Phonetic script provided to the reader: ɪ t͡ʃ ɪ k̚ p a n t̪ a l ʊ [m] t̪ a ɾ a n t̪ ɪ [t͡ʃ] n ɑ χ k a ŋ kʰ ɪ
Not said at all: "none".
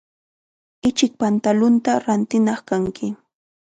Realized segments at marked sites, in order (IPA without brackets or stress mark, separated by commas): n, none